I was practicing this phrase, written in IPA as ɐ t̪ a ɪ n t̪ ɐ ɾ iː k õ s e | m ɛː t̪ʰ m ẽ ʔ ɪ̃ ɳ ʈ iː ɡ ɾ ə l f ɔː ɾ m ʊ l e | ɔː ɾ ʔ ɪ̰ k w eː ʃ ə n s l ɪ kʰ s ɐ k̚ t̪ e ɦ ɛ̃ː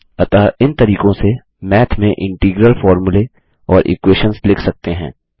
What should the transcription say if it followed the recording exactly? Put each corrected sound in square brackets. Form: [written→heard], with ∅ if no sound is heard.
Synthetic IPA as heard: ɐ t̪ a ɪ n t̪ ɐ ɾ iː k õ s e | m ɛː t̪ʰ m ẽ ʔ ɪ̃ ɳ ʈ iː ɡ ɾ ə l f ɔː ɾ m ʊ l e | ɔː ɾ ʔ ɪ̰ k w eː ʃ ə n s l ɪ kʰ s ɐ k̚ t̪ e ɦ ɛ̃ː